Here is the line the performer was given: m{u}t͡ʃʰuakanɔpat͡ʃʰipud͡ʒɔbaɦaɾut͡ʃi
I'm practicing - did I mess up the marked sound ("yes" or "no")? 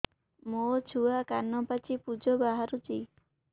yes